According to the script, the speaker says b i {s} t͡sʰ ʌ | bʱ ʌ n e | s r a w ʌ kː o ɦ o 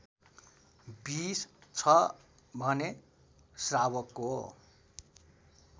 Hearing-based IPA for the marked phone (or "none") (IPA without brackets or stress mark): s